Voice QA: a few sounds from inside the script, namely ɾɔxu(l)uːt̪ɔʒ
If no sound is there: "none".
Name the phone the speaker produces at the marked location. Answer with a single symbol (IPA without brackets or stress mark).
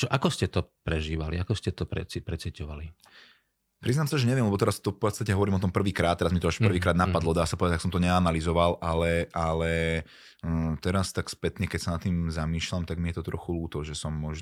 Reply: l